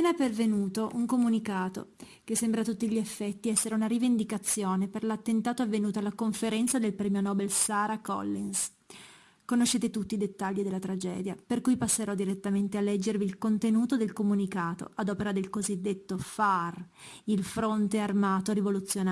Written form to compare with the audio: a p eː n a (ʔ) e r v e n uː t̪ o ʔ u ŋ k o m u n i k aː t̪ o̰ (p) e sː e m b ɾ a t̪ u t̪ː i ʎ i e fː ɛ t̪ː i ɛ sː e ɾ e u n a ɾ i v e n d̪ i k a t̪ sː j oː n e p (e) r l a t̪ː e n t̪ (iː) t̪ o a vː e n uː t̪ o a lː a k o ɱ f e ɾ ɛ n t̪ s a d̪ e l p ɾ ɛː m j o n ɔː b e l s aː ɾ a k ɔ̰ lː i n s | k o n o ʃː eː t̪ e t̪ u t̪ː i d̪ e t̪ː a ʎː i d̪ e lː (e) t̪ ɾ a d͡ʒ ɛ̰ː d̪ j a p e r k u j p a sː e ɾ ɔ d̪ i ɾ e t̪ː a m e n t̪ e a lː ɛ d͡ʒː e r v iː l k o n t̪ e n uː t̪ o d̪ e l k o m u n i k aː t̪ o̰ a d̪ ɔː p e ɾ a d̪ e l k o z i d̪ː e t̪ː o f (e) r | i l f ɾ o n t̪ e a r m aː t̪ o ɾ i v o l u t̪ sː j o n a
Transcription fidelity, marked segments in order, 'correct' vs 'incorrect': incorrect: p, incorrect: k, correct, incorrect: aː, incorrect: a, incorrect: a

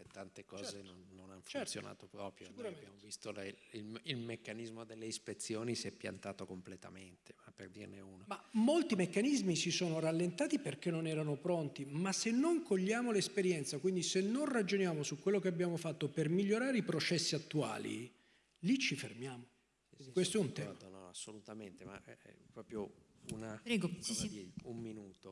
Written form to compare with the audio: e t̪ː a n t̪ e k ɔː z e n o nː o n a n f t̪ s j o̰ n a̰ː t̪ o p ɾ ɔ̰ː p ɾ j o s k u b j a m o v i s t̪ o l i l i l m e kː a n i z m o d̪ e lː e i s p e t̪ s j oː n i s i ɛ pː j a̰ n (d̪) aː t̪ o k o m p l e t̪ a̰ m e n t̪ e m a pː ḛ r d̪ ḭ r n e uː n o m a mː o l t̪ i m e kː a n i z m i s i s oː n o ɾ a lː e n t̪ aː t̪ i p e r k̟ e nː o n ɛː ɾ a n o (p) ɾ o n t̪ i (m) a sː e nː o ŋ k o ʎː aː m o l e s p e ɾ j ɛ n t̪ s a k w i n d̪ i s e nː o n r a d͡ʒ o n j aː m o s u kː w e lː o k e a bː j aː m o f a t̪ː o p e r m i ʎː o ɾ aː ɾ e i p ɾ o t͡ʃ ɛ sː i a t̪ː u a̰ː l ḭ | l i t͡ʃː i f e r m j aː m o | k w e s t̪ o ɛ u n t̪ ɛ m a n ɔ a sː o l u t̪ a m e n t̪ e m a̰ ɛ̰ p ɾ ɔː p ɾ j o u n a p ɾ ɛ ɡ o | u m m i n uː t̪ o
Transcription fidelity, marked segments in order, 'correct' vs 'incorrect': incorrect: t̪, correct, correct

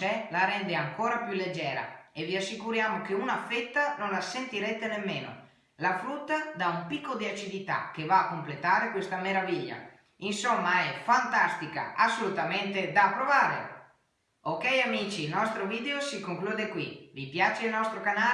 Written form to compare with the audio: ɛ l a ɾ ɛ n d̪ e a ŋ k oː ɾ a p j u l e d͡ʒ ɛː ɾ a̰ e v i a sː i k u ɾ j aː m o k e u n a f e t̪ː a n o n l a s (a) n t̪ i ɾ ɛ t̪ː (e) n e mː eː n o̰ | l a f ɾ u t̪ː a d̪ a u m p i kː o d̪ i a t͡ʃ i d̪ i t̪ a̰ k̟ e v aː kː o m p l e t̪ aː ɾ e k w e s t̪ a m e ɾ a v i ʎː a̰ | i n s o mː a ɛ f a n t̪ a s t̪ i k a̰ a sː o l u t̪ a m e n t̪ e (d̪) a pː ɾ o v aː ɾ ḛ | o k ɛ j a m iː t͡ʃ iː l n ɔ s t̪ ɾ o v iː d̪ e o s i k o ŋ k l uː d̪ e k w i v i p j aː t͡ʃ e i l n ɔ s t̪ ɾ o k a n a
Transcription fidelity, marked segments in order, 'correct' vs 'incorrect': incorrect: e, correct, correct

